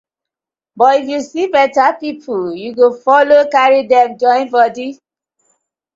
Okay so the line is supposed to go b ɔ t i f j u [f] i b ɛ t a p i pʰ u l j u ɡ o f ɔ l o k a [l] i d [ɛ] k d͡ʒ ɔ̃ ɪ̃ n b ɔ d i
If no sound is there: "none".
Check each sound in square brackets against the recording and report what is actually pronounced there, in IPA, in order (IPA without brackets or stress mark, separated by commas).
s, ɹ, ɛ